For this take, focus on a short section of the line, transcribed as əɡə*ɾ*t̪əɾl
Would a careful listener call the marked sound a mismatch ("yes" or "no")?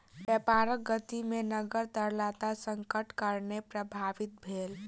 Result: no